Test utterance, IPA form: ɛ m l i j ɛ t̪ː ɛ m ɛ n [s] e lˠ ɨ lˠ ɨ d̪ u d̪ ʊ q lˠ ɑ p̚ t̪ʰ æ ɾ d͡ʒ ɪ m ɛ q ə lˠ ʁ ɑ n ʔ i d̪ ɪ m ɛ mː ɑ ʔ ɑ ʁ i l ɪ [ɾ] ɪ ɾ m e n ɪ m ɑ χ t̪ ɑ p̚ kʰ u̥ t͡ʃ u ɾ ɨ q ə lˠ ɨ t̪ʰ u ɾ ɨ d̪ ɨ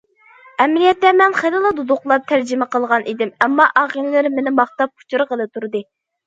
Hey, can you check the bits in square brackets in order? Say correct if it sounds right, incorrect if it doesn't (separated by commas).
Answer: incorrect, incorrect